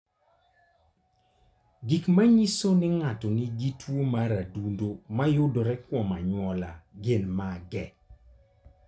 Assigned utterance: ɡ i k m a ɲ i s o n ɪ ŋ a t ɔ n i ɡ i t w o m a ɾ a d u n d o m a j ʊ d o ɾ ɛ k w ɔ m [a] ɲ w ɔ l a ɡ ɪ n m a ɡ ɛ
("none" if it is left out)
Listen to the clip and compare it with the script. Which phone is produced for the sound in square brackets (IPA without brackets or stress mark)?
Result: a